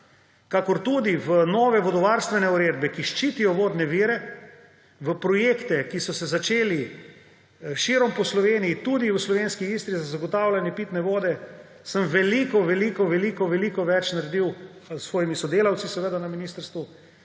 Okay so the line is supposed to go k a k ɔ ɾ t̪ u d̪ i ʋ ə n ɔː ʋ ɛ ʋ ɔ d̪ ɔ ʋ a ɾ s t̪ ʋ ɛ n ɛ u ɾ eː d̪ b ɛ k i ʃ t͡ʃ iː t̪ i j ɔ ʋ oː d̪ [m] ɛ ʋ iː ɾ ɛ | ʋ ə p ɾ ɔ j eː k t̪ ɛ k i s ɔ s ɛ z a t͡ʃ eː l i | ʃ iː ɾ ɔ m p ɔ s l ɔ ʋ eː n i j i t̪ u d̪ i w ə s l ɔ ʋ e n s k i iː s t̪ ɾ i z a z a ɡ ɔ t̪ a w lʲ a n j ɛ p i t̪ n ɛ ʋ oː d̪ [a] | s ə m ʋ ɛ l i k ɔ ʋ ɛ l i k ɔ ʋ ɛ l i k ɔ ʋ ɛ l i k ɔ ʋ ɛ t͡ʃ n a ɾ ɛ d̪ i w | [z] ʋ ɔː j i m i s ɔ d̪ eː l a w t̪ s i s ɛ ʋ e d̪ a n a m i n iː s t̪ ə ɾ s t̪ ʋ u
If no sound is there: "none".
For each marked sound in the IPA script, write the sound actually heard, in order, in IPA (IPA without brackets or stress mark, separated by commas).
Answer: n, ɛ, s